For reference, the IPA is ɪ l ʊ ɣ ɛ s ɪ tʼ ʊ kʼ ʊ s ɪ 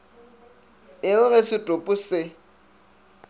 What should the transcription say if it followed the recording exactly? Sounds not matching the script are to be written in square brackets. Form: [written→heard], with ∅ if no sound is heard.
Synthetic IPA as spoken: ɪ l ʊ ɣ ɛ s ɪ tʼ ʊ [kʼ→pʼ] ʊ s ɪ